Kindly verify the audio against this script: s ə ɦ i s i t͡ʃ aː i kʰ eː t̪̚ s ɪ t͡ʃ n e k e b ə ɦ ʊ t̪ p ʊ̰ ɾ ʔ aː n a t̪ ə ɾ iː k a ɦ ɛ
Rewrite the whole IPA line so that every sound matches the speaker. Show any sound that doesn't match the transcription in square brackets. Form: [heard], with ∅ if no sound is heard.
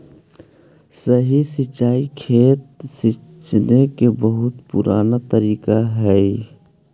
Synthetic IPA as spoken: s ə ɦ i s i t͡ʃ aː i kʰ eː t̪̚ s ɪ t͡ʃ n e k e b ə ɦ ʊ t̪ p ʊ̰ ɾ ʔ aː n a t̪ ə ɾ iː k a ɦ ɛ